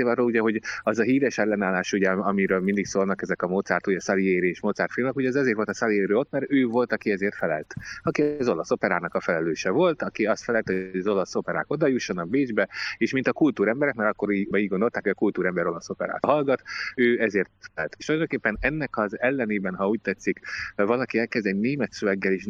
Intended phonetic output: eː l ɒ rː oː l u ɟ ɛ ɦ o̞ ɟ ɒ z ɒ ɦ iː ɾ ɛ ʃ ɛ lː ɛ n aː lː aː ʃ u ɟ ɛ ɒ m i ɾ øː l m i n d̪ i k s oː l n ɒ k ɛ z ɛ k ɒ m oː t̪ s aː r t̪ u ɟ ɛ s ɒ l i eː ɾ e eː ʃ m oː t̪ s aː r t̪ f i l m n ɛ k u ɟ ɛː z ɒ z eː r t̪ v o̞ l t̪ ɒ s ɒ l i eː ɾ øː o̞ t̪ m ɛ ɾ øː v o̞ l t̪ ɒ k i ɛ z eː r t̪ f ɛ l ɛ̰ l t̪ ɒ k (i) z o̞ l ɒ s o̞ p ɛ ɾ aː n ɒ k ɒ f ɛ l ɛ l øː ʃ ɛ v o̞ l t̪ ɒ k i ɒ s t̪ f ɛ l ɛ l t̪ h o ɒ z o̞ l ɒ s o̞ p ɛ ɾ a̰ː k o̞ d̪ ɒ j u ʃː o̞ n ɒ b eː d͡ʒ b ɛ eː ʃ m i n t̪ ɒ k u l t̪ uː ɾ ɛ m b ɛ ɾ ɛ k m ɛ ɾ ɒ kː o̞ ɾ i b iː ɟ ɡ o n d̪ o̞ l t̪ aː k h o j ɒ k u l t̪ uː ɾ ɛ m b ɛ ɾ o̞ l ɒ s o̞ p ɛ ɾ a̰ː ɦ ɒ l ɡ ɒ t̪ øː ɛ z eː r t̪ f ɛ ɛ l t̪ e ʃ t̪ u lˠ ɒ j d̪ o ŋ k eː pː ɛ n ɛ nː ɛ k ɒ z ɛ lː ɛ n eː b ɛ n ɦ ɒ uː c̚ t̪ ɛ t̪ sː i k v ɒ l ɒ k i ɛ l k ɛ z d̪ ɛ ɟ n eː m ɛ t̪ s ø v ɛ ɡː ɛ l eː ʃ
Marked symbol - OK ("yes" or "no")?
yes